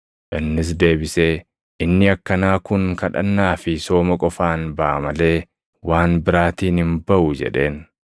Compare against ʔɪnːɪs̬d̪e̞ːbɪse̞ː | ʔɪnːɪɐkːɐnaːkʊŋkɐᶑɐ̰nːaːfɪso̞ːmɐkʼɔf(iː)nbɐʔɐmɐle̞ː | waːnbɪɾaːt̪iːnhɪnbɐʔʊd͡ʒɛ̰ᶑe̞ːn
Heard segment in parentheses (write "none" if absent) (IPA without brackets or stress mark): aː